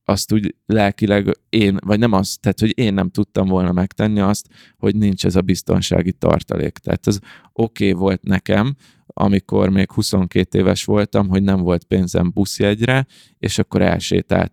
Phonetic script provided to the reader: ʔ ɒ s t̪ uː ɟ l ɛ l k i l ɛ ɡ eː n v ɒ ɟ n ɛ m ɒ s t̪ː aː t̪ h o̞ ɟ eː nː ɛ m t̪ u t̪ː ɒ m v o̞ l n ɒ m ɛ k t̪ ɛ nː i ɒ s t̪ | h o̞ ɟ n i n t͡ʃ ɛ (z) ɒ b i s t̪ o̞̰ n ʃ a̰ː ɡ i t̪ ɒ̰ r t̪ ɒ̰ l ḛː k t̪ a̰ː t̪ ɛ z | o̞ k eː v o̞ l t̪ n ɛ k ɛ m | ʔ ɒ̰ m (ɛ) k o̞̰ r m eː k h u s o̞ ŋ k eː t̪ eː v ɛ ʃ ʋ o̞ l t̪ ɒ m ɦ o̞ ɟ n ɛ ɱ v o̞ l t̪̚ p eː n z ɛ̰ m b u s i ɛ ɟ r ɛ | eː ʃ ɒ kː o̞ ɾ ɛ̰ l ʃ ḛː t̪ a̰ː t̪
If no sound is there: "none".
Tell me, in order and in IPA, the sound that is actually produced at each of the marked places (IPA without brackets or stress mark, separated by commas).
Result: z, i